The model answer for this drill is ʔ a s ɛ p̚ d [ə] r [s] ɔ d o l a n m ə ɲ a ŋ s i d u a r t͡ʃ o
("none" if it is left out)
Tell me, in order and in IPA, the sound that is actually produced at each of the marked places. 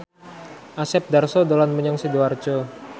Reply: a, s

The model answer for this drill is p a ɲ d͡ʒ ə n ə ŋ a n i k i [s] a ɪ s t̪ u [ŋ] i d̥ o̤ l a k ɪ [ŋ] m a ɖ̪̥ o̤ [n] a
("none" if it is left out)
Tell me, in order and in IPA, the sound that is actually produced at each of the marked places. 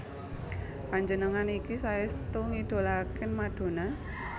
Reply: s, ŋ, n, n

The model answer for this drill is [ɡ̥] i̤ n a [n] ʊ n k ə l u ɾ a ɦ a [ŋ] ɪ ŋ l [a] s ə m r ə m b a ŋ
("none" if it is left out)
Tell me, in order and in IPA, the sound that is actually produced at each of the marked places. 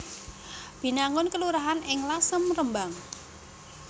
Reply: b̥, ŋ, n, a

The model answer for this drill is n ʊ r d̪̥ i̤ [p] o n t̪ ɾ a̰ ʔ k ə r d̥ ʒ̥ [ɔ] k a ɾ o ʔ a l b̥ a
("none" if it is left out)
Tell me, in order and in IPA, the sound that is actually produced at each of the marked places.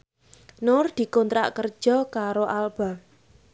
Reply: k, ɔ

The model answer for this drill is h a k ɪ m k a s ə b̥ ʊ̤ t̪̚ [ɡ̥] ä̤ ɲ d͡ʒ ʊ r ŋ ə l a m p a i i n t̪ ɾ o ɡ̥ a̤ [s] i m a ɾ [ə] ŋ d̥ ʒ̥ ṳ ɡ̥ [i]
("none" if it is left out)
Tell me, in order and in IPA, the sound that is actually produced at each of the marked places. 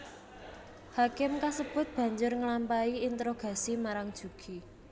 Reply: b̥, s, a, i

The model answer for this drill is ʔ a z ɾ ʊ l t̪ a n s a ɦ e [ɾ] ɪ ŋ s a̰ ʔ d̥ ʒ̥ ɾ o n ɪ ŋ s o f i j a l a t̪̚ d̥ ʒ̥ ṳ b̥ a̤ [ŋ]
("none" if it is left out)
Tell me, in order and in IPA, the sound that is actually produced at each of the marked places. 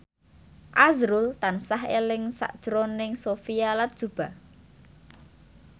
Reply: l, none

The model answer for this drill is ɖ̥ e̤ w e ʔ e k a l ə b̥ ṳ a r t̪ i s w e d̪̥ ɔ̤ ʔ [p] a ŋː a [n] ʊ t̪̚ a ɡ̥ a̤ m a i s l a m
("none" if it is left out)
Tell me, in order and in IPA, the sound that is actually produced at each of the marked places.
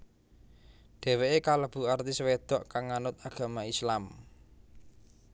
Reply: k, n

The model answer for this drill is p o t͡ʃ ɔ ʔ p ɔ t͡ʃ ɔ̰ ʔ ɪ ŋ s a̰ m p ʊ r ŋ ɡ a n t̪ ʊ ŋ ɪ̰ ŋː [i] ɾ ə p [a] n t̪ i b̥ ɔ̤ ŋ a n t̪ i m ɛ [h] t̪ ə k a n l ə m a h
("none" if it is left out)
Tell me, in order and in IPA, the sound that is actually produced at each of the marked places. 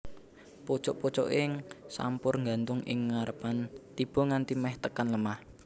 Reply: a, a, h

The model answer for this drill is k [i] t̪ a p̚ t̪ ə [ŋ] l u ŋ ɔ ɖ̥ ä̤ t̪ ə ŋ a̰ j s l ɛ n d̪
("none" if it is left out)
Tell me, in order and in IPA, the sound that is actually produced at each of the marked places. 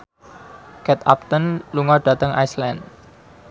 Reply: ɛ, n

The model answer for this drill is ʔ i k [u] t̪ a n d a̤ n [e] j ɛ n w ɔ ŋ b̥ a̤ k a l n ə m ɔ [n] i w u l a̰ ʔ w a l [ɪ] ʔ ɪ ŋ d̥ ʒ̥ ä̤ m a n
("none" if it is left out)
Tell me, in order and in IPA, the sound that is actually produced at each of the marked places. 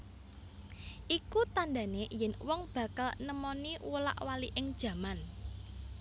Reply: u, e, n, i

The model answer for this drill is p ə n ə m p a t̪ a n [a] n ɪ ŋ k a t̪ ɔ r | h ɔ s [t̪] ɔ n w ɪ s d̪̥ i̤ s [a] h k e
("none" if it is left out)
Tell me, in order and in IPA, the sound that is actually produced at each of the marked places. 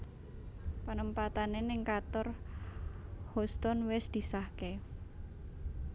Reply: e, t̪, a

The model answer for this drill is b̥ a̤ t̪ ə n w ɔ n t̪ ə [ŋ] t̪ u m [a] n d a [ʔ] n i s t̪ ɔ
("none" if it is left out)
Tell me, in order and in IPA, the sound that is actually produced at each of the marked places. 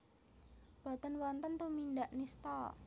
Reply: n, i, ʔ

